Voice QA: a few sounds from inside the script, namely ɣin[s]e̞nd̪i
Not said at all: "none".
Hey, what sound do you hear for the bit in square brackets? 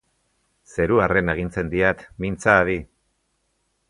t͡s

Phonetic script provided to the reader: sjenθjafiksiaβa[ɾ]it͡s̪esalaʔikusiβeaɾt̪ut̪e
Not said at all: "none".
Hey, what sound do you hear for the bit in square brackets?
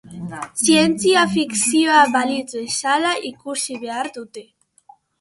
l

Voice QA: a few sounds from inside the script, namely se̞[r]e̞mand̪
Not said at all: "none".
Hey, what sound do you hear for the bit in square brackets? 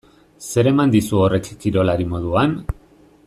ɾ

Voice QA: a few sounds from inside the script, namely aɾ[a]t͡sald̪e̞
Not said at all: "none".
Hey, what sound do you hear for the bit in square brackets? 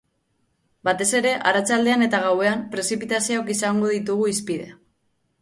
a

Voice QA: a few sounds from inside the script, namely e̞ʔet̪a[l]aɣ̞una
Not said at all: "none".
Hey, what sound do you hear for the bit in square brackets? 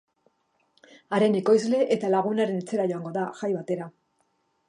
l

